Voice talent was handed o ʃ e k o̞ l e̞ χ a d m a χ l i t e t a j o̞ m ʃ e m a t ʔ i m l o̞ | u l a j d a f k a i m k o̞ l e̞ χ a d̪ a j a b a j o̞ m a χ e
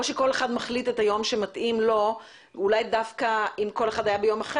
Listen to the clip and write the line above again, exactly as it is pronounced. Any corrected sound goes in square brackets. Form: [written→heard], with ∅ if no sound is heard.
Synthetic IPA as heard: o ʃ e k o̞ l e̞ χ a d m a χ l i t e t a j o̞ m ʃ e m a t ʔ i m l o̞ | u l a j d a f k a i m k o̞ l e̞ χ a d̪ a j a b [a→e] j o̞ m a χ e